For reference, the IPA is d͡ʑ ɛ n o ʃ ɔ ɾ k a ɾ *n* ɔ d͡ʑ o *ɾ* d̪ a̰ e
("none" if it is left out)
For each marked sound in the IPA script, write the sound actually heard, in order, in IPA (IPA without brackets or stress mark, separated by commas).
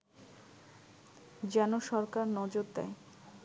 n, ɾ